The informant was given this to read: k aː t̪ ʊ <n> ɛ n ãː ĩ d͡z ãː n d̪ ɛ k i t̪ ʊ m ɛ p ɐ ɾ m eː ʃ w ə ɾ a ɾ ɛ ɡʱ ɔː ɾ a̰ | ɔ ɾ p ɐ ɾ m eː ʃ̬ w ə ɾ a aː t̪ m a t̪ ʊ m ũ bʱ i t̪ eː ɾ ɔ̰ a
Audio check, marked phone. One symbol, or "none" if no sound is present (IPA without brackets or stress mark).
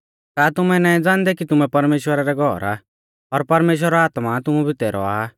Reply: m